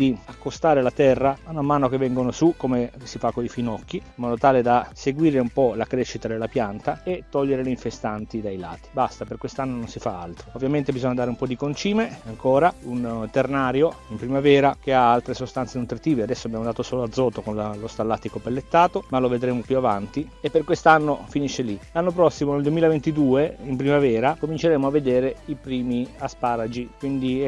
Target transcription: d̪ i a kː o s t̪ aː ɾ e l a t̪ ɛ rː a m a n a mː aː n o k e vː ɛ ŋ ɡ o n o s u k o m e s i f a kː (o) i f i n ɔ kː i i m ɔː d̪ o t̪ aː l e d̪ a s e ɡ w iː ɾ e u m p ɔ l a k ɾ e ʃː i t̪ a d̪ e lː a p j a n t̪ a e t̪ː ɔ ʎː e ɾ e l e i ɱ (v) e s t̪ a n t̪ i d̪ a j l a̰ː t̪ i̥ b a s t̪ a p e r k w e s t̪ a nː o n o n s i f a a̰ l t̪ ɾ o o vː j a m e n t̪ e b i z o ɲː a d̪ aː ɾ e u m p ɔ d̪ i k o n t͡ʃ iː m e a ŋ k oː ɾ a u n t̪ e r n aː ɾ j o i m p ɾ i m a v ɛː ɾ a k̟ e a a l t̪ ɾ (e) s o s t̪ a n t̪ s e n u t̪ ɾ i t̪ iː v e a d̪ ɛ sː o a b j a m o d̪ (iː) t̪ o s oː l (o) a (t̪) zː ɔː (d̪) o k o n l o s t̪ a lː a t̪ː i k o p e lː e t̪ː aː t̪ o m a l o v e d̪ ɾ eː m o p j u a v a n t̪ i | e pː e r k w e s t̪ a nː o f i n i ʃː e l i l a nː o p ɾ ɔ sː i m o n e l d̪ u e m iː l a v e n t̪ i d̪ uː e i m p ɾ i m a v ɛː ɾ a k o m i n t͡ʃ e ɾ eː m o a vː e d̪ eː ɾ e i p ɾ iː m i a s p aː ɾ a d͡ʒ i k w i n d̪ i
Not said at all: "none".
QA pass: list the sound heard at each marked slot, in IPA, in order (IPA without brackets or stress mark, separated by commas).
o, f, e, aː, o, d̪, t̪